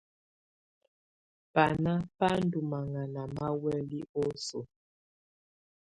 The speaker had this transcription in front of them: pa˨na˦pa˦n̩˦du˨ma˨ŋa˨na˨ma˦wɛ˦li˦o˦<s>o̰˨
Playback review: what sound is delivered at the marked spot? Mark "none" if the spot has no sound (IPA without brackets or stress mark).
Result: s